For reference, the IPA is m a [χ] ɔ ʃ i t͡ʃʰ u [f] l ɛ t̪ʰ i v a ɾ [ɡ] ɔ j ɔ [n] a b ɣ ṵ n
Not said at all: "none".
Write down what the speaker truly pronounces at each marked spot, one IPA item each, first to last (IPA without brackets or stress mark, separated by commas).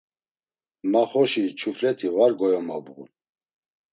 χ, f, ɡ, m